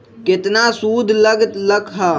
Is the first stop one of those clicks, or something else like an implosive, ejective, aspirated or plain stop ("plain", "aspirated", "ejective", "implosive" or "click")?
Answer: plain